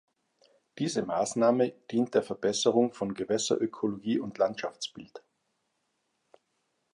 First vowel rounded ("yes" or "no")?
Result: no